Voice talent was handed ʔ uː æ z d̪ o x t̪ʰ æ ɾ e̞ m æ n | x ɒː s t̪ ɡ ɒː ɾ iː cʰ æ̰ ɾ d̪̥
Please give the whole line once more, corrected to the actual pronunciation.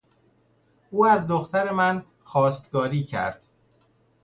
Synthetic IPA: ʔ uː æ z d̪ o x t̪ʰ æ ɾ e̞ m æ n | x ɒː s t̪ ɡ ɒː ɾ iː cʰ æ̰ ɾ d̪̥